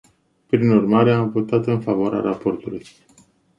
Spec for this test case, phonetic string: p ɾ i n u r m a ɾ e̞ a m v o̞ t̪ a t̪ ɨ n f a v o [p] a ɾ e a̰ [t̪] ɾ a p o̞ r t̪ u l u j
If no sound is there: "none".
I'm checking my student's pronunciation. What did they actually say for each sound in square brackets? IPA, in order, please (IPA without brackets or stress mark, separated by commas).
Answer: none, none